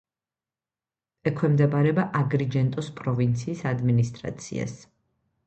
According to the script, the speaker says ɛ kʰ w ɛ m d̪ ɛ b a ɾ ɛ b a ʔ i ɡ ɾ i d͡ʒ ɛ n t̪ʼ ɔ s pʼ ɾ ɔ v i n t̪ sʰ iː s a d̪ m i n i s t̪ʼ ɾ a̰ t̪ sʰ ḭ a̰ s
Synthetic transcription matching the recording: ɛ kʰ w ɛ m d̪ ɛ b a ɾ ɛ b a ʔ a ɡ ɾ i d͡ʒ ɛ n t̪ʼ ɔ s pʼ ɾ ɔ v i n t̪ sʰ iː s a d̪ m i n i s t̪ʼ ɾ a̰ t̪ sʰ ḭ a̰ s